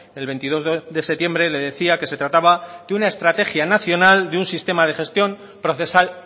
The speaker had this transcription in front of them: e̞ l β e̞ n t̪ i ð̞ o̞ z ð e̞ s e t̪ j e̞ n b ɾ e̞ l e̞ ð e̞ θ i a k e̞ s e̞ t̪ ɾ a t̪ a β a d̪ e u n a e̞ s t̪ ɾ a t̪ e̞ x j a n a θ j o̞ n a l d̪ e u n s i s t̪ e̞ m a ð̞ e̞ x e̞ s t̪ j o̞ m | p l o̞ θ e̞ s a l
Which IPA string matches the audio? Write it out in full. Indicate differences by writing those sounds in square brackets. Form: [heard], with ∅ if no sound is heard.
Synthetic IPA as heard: e̞ l β e̞ n t̪ i ð̞ o̞ z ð e̞ s e t̪ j e̞ [m] b ɾ e̞ l e̞ ð e̞ θ i a k e̞ s e̞ t̪ ɾ a t̪ a β a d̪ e u n a e̞ s t̪ ɾ a t̪ e̞ x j a n a θ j o̞ n a l d̪ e u n s i s t̪ e̞ m a ð̞ e̞ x e̞ s t̪ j o̞ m | p [ɾ] o̞ θ e̞ s a l